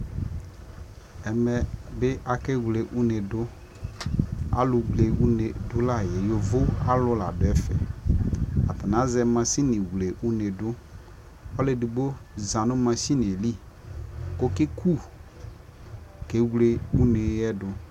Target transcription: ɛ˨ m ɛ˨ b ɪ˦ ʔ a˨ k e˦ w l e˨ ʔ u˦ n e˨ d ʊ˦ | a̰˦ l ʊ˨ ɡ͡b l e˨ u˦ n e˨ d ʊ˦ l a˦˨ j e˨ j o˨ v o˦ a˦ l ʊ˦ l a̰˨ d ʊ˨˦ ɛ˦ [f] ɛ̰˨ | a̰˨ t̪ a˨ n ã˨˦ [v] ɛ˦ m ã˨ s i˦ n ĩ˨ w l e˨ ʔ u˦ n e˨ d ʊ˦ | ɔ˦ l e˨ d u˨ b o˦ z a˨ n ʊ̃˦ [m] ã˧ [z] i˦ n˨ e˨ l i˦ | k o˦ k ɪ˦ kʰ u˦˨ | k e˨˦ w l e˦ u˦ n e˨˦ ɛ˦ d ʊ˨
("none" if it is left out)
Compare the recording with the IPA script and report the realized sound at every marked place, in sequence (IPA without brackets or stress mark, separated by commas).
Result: f, z, m, s